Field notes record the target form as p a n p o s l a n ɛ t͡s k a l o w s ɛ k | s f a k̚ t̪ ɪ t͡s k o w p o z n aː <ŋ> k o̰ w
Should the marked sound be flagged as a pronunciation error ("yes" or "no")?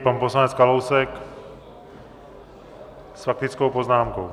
yes